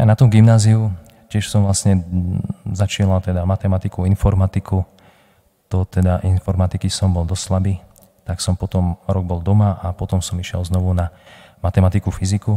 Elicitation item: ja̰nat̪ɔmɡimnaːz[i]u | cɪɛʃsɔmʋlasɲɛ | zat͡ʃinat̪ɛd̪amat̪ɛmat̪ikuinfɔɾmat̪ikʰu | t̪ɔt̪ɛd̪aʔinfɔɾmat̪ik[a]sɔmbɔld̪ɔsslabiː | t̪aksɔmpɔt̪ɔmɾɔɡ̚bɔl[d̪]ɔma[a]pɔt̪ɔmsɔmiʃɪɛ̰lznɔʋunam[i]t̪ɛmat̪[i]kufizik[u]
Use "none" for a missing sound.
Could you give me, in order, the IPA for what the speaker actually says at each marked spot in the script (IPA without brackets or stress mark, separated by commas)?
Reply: i, i, d̪, a, a, i, u